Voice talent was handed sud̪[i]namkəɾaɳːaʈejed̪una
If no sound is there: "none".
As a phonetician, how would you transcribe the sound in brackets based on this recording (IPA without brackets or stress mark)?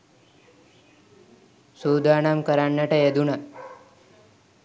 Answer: a